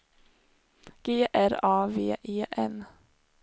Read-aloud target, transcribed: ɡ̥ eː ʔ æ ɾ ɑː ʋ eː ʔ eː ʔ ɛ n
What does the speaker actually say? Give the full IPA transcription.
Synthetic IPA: ɡ̥ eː ʔ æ ɾ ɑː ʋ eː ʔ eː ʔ ɛ n